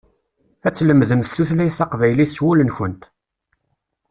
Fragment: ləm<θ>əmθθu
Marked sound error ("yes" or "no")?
yes